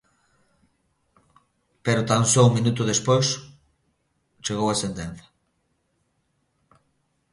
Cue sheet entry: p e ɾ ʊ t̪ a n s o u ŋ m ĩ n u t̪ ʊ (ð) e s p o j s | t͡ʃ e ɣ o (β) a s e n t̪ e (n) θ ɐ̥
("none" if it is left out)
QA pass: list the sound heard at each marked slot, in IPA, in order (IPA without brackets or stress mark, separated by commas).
ð, w, n